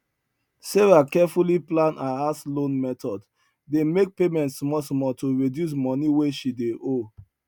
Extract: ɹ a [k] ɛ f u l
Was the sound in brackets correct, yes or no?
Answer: yes